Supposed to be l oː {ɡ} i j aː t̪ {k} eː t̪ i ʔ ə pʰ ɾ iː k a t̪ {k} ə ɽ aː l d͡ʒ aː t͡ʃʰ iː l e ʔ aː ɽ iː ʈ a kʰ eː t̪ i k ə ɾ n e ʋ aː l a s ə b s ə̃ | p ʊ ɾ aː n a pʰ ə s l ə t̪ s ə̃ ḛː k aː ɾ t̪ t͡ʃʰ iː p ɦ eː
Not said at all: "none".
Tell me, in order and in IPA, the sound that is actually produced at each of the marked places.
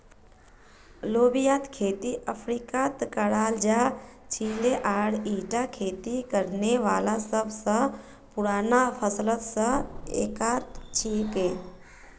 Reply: b, kʰ, k

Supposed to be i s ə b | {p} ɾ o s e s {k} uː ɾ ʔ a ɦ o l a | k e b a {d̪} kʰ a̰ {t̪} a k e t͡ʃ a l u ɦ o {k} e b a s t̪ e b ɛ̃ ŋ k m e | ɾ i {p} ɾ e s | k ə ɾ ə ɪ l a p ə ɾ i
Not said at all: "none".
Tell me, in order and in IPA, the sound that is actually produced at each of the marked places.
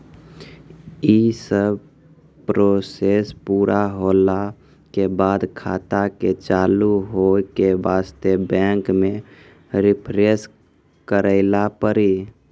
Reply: p, p, d̪, t̪, k, pʰ

